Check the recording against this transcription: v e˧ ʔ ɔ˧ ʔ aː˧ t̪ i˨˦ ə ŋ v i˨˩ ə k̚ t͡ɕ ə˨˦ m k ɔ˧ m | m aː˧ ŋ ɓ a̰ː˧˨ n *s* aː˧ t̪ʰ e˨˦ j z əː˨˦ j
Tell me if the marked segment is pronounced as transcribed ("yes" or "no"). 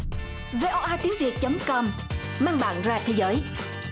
no